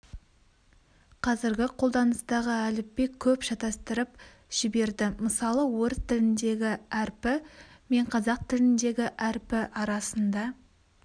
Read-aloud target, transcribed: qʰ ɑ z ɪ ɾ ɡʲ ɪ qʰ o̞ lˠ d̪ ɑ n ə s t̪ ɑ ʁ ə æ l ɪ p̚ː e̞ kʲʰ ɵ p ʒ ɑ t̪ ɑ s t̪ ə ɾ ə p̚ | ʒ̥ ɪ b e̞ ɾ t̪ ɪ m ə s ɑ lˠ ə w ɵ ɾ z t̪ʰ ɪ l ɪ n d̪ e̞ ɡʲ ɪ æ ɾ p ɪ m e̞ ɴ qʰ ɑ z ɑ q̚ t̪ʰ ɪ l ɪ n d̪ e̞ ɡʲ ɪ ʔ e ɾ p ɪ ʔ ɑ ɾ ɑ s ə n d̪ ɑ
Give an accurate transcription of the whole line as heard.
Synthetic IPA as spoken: qʰ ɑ z ɪ ɾ ɡʲ ɪ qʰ o̞ lˠ d̪ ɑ n ə s t̪ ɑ ʁ ə æ l ɪ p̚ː e̞ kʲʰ ɵ p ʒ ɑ t̪ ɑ s t̪ ə ɾ ə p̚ | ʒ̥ ɪ b e̞ ɾ d̪ ɪ m ə s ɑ lˠ ə w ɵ ɾ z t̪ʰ ɪ l ɪ n d̪ e̞ ɡʲ ɪ æ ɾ p ɪ m e̞ ɴ qʰ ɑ z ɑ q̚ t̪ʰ ɪ l ɪ n d̪ e̞ ɡʲ ɪ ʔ æ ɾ p ɪ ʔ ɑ ɾ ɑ s ə n d̪ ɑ